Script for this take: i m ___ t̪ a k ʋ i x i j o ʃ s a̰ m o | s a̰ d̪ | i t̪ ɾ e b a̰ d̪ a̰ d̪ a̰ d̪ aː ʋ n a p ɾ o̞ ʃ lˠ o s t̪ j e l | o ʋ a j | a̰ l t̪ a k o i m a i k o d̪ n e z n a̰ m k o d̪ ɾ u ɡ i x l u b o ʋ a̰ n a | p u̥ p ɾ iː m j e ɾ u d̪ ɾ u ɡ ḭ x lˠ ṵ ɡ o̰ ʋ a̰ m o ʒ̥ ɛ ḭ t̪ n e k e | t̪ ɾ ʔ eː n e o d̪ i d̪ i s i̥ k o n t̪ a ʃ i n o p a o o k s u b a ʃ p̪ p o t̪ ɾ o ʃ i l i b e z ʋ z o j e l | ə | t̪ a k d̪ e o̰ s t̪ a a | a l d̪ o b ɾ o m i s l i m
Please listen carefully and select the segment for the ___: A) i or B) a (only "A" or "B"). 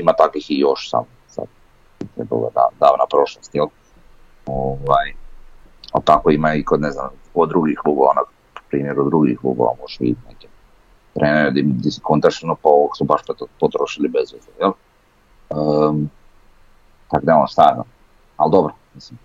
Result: B